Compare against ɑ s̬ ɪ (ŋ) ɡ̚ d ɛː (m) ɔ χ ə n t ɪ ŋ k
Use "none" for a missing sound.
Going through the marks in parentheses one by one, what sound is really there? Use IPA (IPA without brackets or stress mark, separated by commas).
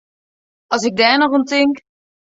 none, n